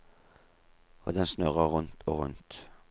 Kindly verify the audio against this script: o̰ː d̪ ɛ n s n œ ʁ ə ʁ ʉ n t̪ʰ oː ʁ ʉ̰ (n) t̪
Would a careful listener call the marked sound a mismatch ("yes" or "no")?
no